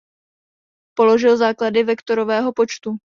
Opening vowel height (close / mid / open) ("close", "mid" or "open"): mid